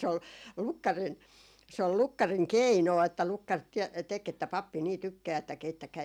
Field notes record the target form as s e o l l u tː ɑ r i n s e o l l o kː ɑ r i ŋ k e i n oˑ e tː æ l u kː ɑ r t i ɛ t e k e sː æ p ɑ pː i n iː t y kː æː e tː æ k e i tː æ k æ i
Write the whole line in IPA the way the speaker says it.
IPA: s e o l l u kː ɑ r i n s e o l l u kː ɑ r i ŋ k e i n oˑ e tː æ l u kː ɑ r t i ɛ t e k e tː æ p ɑ pː i n iː t y kː æː e tː æ k e i tː æ k æ i